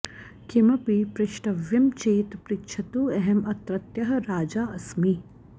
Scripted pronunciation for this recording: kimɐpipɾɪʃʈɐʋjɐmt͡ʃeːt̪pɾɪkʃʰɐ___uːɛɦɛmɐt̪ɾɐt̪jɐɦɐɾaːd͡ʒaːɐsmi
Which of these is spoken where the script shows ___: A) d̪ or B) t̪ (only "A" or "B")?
B